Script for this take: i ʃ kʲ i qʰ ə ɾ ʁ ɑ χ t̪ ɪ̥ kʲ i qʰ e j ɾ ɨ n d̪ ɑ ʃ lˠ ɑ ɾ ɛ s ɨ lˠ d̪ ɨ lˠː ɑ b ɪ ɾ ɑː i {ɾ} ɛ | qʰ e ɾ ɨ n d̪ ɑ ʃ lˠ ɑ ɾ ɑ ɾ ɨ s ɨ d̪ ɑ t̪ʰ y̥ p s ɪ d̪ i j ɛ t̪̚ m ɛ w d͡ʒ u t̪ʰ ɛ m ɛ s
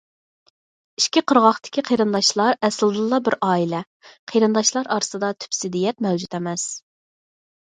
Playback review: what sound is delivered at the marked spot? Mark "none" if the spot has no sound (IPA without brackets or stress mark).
l